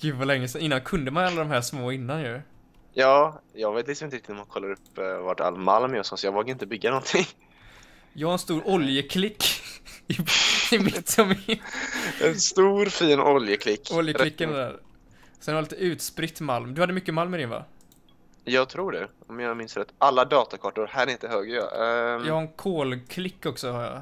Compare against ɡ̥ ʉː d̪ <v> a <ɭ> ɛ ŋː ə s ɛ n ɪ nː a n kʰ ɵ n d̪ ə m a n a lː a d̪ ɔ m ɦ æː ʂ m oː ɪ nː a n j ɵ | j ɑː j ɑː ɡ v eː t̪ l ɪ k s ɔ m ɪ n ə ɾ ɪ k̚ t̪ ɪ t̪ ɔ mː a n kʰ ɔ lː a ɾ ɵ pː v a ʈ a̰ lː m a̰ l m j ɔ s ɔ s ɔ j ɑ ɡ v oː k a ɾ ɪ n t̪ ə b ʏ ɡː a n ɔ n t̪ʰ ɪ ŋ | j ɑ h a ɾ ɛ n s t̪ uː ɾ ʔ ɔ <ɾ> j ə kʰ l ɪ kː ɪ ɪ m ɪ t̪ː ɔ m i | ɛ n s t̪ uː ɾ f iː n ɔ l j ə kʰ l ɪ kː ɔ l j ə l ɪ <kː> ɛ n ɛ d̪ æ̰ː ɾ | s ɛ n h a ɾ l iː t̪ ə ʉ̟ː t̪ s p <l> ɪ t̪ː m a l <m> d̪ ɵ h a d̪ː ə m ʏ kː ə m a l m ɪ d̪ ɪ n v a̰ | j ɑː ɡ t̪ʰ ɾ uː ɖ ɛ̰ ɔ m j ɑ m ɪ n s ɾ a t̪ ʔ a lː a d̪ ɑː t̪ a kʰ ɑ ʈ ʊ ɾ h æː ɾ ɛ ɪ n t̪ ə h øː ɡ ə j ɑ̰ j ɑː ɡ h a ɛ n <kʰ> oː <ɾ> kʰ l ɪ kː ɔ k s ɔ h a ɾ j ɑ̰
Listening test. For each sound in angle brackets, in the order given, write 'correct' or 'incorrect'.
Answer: correct, incorrect, incorrect, correct, incorrect, correct, correct, incorrect

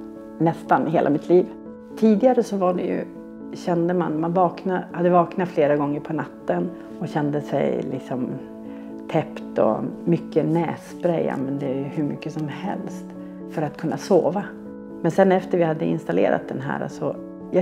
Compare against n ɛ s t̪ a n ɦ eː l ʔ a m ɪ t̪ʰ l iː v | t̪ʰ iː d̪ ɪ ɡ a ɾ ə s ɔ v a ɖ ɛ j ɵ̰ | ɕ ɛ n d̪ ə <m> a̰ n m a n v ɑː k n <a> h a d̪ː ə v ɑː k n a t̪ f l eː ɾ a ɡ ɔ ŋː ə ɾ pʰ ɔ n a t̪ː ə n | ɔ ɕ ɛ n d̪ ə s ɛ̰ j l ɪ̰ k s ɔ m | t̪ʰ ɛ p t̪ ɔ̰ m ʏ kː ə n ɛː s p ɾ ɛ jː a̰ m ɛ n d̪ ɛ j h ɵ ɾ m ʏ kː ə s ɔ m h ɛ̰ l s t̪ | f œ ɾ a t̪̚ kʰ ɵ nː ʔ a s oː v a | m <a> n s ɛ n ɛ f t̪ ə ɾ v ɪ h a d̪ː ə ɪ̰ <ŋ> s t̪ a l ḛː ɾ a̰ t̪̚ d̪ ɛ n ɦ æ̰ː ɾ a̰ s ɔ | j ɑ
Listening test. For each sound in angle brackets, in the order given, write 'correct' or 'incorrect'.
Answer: correct, correct, incorrect, incorrect

